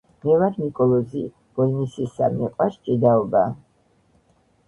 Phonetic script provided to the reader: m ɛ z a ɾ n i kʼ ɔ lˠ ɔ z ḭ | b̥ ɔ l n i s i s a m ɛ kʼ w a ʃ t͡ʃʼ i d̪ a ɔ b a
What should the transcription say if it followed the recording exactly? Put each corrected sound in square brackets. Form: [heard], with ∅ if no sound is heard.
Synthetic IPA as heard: m ɛ [v] a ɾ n i kʼ ɔ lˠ ɔ z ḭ | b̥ ɔ l n i s i s a m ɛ [qʼ] w a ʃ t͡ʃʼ i d̪ a ɔ b a